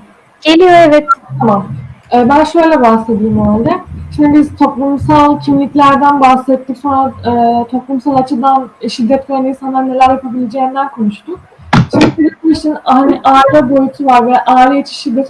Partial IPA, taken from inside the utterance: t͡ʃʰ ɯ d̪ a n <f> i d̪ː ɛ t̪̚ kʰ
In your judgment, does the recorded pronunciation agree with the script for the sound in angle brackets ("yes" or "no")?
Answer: no